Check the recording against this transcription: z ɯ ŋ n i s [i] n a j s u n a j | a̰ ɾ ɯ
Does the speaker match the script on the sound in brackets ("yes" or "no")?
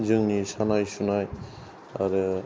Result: no